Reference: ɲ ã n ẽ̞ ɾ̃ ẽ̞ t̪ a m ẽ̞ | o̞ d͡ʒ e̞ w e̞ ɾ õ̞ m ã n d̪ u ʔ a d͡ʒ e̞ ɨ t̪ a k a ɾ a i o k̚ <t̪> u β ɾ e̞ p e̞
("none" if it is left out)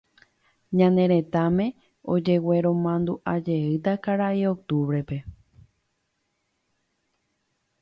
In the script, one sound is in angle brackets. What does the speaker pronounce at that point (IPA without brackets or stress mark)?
t̪